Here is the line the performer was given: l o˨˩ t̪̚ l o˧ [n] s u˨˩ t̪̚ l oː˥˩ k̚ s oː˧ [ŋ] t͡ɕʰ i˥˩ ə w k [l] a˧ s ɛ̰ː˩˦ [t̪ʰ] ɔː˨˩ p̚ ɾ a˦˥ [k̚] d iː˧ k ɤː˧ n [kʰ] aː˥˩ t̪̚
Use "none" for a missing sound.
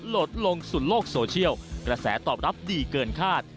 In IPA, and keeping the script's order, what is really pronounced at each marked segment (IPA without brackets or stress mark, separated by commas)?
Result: ŋ, none, ɾ, t̪, p̚, kʰ